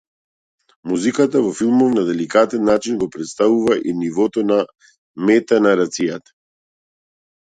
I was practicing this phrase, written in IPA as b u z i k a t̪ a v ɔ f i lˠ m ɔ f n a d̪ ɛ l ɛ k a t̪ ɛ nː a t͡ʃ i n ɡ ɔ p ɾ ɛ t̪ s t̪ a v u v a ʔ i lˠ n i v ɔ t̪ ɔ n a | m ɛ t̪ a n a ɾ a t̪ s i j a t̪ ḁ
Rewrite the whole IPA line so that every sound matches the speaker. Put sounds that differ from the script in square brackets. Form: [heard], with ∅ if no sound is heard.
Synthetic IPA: [m] u z i k a t̪ a v ɔ f i lˠ m ɔ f n a d̪ ɛ l [i] k a t̪ ɛ nː a t͡ʃ i n ɡ ɔ p ɾ ɛ t̪ s t̪ a v u v a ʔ i [∅] n i v ɔ t̪ ɔ n a | m ɛ t̪ a n a ɾ a t̪ s i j a t̪ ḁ